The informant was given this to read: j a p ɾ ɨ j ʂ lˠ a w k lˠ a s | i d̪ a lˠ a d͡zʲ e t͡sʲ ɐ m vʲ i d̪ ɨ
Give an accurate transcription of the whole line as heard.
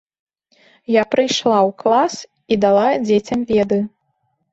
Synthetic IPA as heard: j a p ɾ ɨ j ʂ lˠ a w k lˠ a s | i d̪ a lˠ a d͡zʲ e t͡sʲ ɐ m vʲ ɛ d̪ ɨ

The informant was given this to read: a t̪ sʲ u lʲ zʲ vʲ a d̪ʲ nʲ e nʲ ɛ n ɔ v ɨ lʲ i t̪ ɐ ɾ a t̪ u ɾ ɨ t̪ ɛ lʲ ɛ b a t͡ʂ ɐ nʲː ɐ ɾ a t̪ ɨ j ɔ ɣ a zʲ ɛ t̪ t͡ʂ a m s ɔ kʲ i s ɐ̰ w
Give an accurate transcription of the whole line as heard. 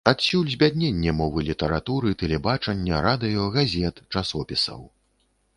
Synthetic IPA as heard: a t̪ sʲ u lʲ zʲ bʲ a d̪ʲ nʲ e nʲː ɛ m ɔ v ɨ lʲ i t̪ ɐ ɾ a t̪ u ɾ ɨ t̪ ɛ lʲ ɛ b a t͡ʂ ɐ nʲː ɐ ɾ a d̪ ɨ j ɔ ɣ a zʲ ɛ t̪ t͡ʂ a s ɔ pʲ i s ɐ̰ w

